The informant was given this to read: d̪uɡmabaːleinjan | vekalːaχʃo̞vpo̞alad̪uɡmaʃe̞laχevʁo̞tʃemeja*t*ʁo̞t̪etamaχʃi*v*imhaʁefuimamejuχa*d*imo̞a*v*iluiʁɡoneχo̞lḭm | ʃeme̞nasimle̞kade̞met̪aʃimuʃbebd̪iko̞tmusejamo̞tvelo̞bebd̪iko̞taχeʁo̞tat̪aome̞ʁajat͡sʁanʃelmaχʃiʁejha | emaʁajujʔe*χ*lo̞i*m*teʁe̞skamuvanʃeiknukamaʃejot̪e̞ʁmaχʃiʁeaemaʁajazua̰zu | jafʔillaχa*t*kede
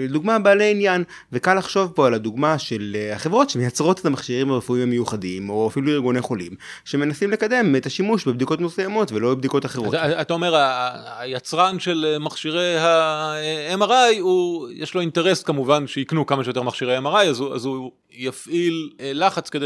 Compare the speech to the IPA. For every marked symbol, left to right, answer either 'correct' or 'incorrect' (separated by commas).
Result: incorrect, incorrect, correct, incorrect, incorrect, incorrect, incorrect